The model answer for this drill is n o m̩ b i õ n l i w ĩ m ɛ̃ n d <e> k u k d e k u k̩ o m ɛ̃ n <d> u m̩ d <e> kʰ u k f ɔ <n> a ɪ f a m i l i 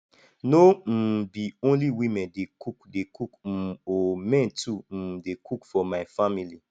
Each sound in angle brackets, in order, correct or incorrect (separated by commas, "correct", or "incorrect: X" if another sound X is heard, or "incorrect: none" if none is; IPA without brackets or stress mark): correct, incorrect: t, correct, incorrect: m